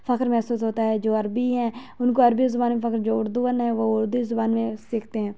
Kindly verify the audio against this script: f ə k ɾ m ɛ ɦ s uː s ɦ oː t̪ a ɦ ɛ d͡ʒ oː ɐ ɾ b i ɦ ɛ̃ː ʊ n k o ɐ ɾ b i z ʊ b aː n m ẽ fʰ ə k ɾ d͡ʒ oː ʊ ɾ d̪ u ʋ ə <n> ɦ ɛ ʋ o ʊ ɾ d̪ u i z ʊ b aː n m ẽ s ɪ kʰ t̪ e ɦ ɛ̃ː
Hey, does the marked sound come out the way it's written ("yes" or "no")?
yes